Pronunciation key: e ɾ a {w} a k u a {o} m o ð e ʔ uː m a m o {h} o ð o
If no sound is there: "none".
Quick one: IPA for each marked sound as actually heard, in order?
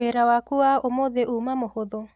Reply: w, o, h

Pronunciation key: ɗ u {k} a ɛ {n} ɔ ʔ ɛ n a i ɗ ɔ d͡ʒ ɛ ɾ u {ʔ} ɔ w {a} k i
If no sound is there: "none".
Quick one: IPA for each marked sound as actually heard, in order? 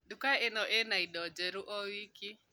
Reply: k, n, ʔ, i

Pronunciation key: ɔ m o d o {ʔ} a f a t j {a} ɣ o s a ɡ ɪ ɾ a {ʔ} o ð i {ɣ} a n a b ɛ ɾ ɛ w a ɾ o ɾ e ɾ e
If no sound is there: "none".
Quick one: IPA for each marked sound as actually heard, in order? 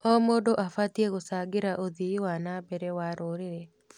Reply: ʔ, e, ʔ, w

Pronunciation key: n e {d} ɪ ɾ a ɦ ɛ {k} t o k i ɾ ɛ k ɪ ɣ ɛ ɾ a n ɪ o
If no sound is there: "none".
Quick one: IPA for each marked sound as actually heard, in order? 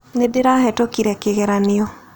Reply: d, none

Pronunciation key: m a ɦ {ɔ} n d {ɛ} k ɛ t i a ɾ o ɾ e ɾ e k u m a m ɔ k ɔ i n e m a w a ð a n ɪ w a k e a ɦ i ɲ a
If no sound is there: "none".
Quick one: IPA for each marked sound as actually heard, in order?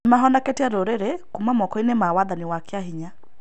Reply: ɔ, a

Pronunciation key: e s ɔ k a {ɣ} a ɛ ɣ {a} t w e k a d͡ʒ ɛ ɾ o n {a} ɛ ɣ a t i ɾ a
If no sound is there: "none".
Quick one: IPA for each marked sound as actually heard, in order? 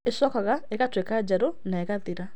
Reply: ɣ, a, a

